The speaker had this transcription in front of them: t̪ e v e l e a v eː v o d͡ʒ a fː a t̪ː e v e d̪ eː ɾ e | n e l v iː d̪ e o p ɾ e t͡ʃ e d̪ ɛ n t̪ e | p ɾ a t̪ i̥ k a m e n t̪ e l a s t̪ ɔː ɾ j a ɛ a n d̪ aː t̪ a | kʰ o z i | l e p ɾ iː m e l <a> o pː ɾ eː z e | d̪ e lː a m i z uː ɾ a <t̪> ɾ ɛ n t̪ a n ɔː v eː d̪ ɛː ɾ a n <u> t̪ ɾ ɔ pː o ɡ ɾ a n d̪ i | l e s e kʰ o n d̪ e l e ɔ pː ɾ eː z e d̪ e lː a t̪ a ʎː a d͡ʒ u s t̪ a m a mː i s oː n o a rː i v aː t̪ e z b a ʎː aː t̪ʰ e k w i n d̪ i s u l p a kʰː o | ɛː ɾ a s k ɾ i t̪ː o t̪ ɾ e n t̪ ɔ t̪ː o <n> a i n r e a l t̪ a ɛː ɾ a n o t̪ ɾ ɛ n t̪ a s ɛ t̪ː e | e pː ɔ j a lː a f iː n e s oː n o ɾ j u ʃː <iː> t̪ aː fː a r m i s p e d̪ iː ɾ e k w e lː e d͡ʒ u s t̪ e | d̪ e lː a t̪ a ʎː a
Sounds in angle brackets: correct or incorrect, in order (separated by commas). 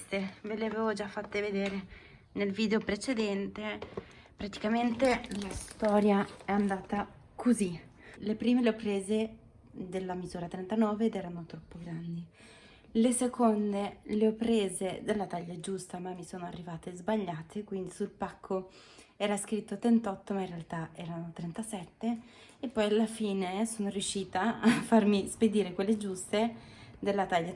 incorrect, correct, incorrect, incorrect, correct